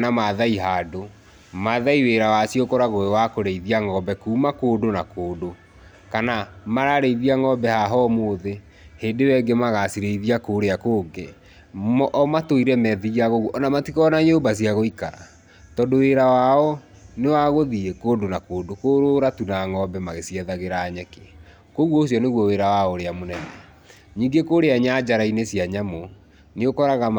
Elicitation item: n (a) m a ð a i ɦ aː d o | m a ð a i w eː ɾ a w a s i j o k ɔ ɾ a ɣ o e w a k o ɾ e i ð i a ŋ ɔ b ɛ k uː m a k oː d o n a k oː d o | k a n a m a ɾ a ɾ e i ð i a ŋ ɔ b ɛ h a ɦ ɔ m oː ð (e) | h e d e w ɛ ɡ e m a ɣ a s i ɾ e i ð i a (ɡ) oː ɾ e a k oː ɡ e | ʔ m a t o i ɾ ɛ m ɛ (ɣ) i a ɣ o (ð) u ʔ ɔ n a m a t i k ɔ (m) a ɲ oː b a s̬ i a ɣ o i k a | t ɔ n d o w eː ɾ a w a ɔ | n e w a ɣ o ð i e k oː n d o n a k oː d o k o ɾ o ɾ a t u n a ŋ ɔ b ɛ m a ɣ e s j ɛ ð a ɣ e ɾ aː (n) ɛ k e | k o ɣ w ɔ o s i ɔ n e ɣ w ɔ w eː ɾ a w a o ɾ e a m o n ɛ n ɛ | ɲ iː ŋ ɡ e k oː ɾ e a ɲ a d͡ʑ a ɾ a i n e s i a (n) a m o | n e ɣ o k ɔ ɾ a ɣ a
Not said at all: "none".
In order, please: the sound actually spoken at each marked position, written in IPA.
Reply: a, e, k, ð, ɣ, n, ɲ, ɲ

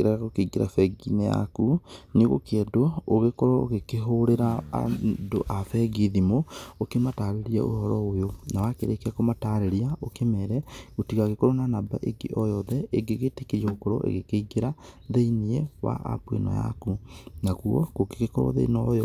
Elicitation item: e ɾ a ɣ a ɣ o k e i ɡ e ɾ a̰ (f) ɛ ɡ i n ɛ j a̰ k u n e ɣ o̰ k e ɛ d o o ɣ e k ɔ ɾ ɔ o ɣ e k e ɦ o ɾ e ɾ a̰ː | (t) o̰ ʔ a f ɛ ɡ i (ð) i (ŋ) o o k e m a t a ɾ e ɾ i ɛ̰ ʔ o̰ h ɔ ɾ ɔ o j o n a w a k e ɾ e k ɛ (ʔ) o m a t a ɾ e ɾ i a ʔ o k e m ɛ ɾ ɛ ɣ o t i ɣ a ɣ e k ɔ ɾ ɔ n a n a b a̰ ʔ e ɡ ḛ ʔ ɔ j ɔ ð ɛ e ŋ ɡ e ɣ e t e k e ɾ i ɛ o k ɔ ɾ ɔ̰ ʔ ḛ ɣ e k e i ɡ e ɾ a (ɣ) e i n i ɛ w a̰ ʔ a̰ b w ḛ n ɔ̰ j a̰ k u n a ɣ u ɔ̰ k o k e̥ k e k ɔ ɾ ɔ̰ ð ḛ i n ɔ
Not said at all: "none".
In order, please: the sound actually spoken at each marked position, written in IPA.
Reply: f, d, ð, m, k, ð

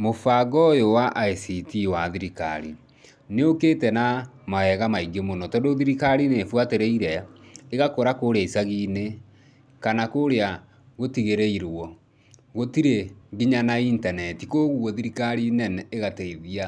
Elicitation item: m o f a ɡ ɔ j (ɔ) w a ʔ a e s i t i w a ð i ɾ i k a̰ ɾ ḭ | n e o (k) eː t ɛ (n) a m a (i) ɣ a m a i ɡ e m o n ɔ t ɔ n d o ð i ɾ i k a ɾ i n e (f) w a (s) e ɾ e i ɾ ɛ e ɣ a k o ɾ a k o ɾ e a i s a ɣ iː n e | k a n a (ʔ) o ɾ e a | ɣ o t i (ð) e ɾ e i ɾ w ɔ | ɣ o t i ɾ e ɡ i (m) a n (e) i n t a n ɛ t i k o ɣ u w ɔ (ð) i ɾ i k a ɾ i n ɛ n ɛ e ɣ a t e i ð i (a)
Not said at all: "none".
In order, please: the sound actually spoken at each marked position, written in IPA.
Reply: o, k, n, ɛ, f, t, k, ɣ, ɲ, a, ð, a

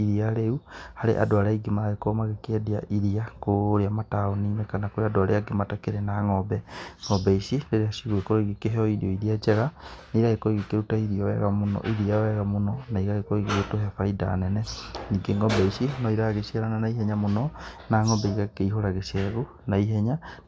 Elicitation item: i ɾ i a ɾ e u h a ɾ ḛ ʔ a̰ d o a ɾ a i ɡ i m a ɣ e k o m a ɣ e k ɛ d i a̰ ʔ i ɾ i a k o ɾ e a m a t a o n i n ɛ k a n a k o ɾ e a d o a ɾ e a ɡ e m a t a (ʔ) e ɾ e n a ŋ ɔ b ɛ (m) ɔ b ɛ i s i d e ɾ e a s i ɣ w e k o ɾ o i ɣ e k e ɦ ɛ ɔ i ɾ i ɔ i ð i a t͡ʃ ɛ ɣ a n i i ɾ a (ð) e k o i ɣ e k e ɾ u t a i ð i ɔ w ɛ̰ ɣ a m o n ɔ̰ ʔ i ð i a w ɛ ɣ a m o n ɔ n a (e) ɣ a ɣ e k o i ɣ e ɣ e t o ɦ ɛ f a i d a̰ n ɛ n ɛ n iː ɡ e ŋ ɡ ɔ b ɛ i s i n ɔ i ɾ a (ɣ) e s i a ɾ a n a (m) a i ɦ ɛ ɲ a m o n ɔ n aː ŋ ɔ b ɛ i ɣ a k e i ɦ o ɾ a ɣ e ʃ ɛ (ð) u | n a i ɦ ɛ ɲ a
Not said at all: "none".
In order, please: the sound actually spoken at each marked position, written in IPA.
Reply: k, ŋ, ɣ, i, ɣ, n, ɣ

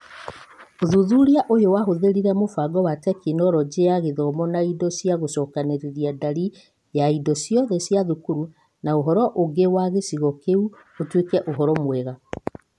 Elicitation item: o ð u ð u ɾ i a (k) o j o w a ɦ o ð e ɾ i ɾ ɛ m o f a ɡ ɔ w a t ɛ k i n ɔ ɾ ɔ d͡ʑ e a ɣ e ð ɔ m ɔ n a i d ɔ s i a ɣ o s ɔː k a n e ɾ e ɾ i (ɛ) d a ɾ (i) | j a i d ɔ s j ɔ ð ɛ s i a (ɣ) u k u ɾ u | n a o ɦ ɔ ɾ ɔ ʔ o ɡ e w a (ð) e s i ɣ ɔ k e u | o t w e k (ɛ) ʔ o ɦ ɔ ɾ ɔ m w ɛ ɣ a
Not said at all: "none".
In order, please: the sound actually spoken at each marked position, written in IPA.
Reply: ʔ, a, i, ð, ɣ, ɛ

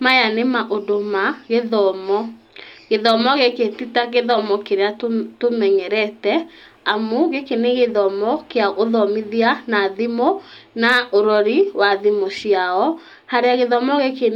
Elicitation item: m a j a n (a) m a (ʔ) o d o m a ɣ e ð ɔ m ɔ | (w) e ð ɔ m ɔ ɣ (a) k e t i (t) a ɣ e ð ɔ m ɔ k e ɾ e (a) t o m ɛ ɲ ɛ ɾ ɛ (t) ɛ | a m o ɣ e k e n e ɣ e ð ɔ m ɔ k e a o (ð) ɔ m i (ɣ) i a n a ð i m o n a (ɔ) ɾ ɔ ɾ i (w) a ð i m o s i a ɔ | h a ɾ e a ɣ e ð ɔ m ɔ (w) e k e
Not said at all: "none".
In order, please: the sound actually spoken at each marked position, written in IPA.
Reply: e, ʔ, ɣ, e, t, a, t, ð, ð, o, w, ɣ

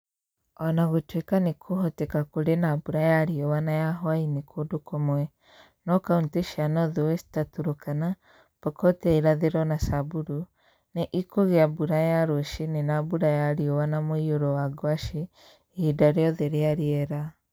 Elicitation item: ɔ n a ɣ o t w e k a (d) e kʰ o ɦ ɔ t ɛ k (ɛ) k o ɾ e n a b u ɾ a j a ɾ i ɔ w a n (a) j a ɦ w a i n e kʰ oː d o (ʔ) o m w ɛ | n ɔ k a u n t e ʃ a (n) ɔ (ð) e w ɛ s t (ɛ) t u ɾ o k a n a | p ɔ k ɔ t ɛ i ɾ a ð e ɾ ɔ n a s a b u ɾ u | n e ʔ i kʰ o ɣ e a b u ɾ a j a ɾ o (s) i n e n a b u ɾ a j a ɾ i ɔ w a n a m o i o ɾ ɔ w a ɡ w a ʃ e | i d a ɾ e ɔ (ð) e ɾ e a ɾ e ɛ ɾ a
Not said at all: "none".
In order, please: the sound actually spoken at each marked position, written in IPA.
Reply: n, a, a, k, n, ð, a, ʃ, ð

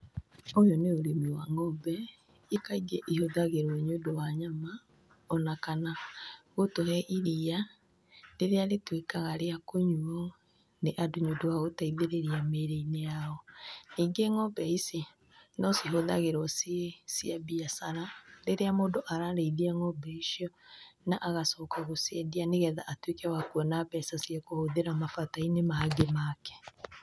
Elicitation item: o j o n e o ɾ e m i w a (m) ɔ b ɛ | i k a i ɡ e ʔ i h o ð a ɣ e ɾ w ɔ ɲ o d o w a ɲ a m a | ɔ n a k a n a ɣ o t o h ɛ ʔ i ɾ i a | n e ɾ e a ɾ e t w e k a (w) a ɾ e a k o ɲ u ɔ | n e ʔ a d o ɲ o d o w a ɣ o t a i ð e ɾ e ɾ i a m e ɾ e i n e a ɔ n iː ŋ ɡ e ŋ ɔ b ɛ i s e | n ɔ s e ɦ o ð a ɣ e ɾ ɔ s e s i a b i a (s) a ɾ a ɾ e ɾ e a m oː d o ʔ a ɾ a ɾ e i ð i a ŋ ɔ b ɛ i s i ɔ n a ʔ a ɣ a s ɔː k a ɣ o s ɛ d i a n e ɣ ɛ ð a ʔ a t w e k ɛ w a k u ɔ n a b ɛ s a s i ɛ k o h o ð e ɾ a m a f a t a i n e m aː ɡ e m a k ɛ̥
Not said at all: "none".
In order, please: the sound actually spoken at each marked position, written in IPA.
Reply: ŋ, ɣ, s

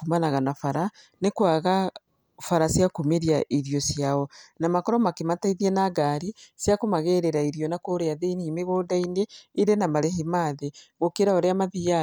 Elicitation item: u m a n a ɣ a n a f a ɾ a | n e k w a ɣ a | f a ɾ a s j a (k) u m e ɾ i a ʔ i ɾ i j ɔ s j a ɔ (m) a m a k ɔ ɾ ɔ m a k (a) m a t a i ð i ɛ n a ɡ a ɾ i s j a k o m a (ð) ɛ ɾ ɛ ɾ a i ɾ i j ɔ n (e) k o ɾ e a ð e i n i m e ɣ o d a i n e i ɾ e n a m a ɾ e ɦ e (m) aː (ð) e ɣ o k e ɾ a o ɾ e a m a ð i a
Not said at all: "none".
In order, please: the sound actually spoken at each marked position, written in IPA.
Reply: k, n, e, ɣ, a, m, ð

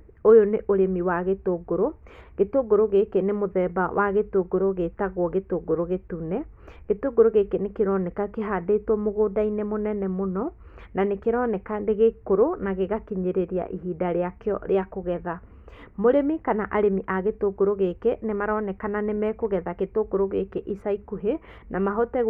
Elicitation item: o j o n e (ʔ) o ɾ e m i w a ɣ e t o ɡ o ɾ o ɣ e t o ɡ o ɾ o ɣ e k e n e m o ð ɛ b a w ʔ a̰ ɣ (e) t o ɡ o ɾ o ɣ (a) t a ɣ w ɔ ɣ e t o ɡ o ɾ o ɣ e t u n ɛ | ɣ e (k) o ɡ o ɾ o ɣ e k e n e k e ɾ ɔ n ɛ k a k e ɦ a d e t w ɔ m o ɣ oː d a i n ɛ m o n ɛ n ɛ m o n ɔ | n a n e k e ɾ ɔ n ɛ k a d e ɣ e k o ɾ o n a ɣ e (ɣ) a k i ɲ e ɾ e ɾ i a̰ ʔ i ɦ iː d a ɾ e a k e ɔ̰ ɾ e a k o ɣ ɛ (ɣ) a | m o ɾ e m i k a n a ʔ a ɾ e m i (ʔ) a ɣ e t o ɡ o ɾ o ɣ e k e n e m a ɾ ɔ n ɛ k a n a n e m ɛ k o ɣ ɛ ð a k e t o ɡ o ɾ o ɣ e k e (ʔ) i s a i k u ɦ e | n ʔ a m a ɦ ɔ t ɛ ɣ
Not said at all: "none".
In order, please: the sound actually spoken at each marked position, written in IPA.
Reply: ʔ, e, e, t, ɣ, ð, ʔ, ʔ

